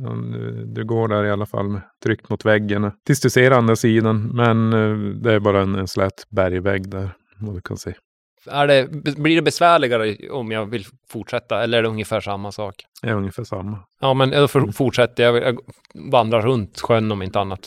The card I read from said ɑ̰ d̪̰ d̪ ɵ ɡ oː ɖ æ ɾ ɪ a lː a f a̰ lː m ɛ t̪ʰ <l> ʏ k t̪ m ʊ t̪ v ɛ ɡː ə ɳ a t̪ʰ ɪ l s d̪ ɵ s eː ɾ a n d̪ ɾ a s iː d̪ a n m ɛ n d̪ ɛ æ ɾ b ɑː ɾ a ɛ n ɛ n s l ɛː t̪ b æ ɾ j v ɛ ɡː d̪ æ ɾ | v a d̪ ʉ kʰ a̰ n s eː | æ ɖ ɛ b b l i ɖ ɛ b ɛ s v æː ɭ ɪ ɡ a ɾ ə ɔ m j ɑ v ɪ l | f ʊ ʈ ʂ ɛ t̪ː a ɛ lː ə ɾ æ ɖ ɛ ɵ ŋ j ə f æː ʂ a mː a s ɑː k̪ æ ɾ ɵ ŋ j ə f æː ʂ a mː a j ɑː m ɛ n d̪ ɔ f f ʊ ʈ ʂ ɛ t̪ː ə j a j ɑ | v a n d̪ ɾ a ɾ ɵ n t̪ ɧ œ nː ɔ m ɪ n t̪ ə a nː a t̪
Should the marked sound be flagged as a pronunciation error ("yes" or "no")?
yes